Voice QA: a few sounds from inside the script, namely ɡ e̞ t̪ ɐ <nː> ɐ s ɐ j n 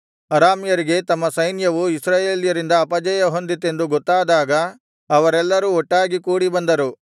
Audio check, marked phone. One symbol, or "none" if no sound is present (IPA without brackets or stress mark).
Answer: mː